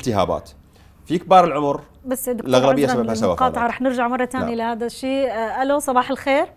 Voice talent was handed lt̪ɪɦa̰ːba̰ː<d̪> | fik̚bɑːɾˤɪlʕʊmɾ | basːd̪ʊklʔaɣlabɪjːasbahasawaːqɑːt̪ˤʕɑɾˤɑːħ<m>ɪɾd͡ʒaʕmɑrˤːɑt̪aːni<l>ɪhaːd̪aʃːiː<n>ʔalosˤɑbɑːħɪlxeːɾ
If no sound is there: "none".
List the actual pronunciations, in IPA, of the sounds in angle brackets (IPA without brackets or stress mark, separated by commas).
t̪, n, l, none